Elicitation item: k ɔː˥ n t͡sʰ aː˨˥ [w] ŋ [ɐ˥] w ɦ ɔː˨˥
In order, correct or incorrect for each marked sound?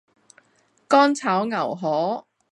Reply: correct, incorrect

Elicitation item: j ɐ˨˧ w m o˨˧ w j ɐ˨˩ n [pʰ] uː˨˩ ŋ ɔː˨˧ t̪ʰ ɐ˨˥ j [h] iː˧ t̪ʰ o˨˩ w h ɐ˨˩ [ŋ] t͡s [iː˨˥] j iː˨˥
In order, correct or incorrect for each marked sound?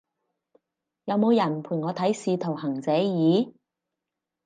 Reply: correct, incorrect, correct, incorrect

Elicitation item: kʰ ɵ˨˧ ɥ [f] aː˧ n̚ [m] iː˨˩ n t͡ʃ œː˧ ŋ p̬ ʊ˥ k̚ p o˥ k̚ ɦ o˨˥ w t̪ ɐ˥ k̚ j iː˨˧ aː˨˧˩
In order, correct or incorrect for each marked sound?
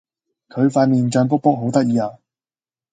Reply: correct, correct

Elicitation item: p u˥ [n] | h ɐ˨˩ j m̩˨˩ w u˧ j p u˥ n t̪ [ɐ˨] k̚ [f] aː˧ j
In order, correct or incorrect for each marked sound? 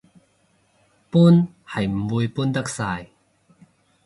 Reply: correct, incorrect, incorrect

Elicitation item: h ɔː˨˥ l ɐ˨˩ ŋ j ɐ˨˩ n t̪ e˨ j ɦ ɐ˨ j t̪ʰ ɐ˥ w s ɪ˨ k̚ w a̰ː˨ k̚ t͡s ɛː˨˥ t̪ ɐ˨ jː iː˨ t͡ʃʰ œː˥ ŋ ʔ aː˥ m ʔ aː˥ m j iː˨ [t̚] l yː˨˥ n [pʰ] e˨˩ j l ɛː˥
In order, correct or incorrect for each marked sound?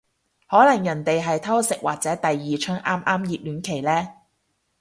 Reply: incorrect, incorrect

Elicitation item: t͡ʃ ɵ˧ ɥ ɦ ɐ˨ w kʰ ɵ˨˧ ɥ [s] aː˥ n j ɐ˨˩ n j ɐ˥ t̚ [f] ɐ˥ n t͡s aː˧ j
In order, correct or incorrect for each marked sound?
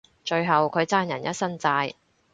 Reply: incorrect, incorrect

